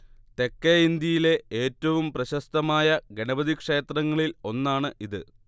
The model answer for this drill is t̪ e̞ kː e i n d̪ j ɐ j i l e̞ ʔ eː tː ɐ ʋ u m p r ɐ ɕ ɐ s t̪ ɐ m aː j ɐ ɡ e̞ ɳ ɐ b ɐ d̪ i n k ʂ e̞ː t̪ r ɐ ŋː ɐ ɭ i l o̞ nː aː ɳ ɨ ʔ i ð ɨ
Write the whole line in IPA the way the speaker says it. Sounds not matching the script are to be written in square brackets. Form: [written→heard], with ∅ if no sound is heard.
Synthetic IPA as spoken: t̪ e̞ kː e i n d̪ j ɐ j i l e̞ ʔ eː tː ɐ ʋ u m p r ɐ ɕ ɐ s t̪ ɐ m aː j ɐ ɡ e̞ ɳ ɐ b ɐ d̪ i [n→∅] k ʂ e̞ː t̪ r ɐ ŋː ɐ ɭ i l o̞ nː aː ɳ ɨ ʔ i ð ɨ